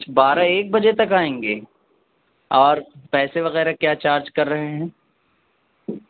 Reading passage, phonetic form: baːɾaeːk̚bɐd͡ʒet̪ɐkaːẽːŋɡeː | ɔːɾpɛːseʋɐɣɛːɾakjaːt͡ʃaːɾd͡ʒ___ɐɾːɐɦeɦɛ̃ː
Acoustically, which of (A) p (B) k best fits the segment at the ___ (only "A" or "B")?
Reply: B